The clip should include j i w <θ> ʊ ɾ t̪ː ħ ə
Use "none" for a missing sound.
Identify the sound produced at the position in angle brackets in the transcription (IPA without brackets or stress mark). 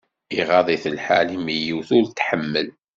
θ